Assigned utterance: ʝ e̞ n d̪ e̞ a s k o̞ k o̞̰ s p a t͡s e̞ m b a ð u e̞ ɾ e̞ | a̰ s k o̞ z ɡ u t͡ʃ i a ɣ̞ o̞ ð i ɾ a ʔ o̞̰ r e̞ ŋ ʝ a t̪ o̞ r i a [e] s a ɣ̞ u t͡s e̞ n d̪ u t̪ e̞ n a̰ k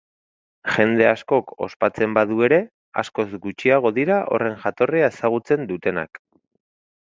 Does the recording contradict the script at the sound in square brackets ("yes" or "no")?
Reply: no